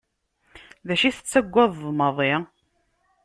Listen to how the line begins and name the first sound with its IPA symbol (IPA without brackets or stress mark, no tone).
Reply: ð